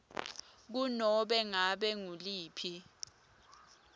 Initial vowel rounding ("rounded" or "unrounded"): rounded